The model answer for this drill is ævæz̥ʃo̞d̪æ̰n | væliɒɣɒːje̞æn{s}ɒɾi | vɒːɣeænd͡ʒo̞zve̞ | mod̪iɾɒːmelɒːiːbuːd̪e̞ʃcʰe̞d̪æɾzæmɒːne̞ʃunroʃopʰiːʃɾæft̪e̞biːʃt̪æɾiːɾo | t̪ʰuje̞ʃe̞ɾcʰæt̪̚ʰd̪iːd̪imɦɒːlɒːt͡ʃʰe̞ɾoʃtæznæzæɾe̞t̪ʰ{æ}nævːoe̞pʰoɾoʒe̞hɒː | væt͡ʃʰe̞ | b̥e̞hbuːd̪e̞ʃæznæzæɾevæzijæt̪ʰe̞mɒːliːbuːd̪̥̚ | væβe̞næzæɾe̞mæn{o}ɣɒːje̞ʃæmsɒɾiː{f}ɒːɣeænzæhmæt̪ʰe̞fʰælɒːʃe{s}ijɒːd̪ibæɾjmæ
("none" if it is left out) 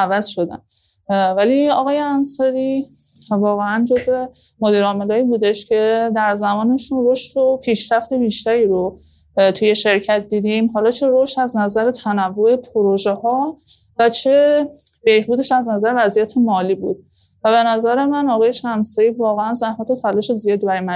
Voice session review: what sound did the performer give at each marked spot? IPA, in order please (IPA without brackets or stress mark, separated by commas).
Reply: s, æ, ɒ, v, z